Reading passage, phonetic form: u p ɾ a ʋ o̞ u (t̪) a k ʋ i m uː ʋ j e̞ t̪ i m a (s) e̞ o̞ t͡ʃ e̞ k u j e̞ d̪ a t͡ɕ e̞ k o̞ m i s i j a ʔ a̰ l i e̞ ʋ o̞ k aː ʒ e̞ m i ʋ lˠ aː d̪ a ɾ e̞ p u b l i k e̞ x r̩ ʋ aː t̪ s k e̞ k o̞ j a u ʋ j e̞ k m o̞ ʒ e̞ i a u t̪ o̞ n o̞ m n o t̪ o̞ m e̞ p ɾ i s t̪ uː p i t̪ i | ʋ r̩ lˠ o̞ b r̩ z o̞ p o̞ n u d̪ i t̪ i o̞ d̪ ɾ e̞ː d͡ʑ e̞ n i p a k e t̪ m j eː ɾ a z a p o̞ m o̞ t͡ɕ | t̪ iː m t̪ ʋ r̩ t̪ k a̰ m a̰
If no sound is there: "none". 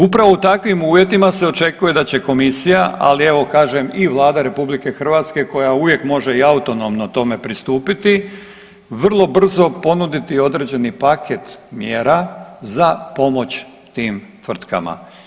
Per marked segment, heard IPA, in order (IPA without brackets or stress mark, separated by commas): t̪, s